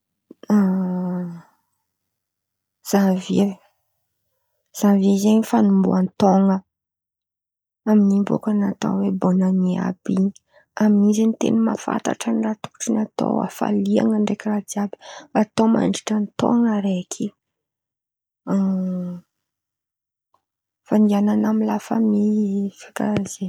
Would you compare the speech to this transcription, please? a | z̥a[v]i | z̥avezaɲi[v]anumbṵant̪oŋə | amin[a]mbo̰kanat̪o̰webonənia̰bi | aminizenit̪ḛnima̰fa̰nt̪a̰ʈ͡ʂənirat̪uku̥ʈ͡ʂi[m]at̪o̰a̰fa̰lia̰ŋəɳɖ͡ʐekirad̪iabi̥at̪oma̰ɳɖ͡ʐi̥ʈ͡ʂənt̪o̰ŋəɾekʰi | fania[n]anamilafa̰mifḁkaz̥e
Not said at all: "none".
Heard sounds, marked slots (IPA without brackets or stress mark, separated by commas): v, f, i, n, n